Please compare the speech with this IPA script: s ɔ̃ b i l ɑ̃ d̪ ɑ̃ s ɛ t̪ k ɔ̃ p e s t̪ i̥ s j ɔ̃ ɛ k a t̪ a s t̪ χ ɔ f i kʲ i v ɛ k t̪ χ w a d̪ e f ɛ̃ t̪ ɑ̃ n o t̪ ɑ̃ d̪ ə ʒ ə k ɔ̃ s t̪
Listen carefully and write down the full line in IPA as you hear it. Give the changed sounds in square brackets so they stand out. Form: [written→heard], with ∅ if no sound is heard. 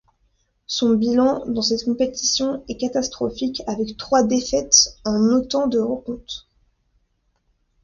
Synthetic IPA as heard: s ɔ̃ b i l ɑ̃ d̪ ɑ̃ s ɛ t̪ k ɔ̃ p e [s→∅] t̪ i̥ s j ɔ̃ ɛ k a t̪ a s t̪ χ ɔ f i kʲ [i→a] v ɛ k t̪ χ w a d̪ e f [ɛ̃→ɛ] t̪ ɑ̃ n o t̪ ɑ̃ d̪ ə [ʒ→ʁ] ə k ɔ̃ [s→∅] t̪